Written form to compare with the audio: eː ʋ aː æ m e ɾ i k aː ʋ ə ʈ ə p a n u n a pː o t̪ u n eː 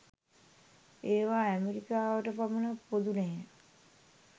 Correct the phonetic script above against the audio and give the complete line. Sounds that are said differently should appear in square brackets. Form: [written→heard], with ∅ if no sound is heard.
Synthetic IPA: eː ʋ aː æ m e ɾ i k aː ʋ ə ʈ ə p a [n→m] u n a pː o [t̪→d̪] u n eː